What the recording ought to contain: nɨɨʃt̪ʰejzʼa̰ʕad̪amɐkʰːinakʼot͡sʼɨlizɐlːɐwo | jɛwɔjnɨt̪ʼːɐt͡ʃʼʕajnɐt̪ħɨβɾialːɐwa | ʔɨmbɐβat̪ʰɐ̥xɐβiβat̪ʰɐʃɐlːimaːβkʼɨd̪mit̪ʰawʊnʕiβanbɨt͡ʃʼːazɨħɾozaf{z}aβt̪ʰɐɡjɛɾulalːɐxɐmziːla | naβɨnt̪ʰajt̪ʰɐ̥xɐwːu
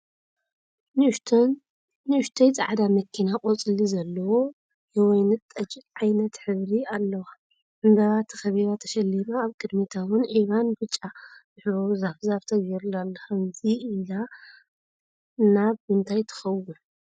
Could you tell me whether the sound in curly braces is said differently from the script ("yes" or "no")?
no